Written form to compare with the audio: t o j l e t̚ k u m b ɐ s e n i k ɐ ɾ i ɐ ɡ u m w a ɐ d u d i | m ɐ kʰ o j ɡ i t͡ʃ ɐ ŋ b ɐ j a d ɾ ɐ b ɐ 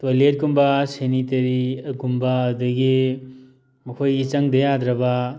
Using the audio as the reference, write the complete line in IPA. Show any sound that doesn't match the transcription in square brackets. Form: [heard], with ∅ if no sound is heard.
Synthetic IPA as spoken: t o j l e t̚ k u m b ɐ s e n i [t] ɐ ɾ i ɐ ɡ u m [b] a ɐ d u [ɡ] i | m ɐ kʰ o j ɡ i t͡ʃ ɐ ŋ [d] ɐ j a d ɾ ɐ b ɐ